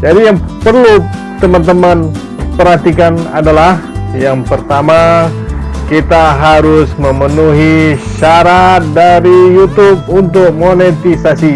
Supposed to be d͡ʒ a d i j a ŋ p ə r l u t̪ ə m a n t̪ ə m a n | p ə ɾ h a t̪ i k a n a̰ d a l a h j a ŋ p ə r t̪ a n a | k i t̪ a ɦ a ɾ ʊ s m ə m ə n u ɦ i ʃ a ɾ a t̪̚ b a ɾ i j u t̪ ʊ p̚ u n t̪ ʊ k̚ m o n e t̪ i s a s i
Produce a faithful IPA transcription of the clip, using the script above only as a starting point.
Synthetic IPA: d͡ʒ a d i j a ŋ p ə r l u t̪ ə m a n t̪ ə m a n | p ə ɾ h a t̪ i k a n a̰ d a l a h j a ŋ p ə r t̪ a m a | k i t̪ a ɦ a ɾ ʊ s m ə m ə n u ɦ i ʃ a ɾ a t̪̚ d a ɾ i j u t̪ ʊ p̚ u n t̪ ʊ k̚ m o n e t̪ i s a s i